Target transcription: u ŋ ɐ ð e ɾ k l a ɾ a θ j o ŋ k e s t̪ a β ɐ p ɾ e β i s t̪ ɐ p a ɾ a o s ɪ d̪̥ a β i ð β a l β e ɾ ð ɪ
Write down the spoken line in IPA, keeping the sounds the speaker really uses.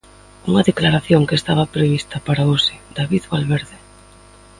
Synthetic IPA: u ŋ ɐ ð e k l a ɾ a θ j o ŋ k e s t̪ a β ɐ p ɾ e β i s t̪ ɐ p a ɾ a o s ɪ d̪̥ a β i ð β a l β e ɾ ð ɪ